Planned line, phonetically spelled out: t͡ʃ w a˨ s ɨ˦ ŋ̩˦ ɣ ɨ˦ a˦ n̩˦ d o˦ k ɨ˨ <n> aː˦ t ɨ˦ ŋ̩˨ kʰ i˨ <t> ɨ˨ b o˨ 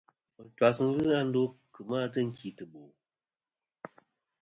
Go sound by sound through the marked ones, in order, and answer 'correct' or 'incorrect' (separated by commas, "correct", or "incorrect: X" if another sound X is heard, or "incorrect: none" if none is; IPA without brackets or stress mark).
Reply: incorrect: m, correct